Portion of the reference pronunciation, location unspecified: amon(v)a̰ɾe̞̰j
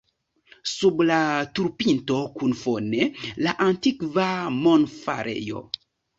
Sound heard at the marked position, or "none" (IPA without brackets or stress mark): f